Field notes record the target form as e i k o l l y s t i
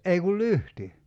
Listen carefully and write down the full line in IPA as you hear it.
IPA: e i k u l l y h t i